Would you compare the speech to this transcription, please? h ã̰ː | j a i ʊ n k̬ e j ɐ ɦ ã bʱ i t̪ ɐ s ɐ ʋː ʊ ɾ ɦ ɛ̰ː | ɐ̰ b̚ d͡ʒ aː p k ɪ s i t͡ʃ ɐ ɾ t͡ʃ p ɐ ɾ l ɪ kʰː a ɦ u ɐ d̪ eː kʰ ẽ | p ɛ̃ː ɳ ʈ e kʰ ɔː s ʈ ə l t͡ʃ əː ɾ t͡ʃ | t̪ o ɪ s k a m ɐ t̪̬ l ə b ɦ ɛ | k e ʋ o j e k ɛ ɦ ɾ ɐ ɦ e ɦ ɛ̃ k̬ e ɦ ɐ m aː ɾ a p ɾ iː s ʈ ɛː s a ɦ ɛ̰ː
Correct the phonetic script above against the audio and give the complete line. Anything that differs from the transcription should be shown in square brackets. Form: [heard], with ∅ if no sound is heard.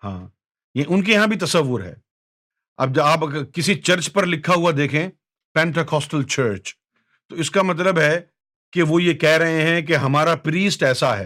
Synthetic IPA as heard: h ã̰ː | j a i ʊ n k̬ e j ɐ ɦ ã bʱ i t̪ ɐ s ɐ ʋː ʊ ɾ ɦ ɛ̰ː | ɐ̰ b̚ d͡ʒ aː p k ɪ s i t͡ʃ ɐ ɾ t͡ʃ p ɐ ɾ l ɪ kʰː a ɦ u [a] d̪ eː kʰ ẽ | p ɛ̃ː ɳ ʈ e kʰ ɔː s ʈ ə l t͡ʃ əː ɾ t͡ʃ | t̪ o ɪ s k a m ɐ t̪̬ l ə b ɦ ɛ | k e ʋ o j e k ɛ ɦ ɾ ɐ ɦ e ɦ ɛ̃ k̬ e ɦ ɐ m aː ɾ a p ɾ iː s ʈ ɛː s a ɦ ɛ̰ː